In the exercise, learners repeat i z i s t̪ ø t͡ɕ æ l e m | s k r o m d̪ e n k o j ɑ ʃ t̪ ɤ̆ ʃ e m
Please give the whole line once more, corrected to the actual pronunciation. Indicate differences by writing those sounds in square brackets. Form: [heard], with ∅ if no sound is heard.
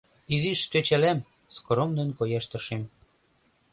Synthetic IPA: i z i [ʃ] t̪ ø t͡ɕ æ l [æ] m | s k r o m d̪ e n k o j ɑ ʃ t̪ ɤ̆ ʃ e m